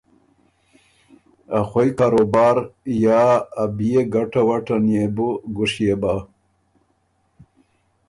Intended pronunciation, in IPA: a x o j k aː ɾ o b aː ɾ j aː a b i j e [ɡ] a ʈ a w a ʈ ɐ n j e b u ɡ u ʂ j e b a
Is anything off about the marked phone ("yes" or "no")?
no